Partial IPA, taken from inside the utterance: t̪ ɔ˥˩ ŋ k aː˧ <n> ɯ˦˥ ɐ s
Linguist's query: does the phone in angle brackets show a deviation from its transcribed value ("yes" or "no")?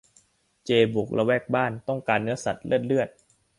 yes